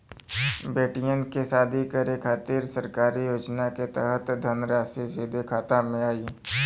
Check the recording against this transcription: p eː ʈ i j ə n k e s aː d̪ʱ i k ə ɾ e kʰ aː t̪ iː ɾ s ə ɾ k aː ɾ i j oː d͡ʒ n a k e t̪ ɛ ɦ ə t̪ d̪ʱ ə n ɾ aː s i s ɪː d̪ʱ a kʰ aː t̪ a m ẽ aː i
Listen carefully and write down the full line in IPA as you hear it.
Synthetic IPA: b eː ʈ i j ə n k e s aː d̪ʱ i k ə ɾ e kʰ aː t̪ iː ɾ s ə ɾ k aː ɾ i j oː d͡ʒ n a k e t̪ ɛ ɦ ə t̪ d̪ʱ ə n ɾ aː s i s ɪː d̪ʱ e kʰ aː t̪ a m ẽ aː i